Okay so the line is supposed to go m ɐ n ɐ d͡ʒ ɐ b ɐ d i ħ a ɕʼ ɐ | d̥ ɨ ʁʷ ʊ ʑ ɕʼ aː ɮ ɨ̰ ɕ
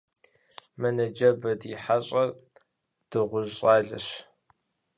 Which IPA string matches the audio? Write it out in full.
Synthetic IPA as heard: m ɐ n ɐ d͡ʒ ɐ b ɐ d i ħ a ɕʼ ɐ | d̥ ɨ ʁʷ ʊ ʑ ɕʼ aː ɮ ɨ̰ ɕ